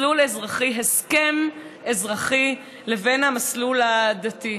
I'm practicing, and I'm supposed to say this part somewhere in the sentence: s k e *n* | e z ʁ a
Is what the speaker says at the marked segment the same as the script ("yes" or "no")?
no